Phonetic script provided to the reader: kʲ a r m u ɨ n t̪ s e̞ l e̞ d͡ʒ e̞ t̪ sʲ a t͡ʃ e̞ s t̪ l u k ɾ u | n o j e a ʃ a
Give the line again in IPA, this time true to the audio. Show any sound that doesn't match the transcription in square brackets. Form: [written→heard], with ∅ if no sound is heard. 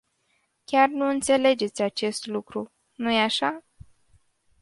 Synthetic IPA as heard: kʲ a r [m→n] u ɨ n t̪ s e̞ l e̞ d͡ʒ e̞ t̪ sʲ a t͡ʃ e̞ s t̪ l u k ɾ u | n [o→u] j e a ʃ a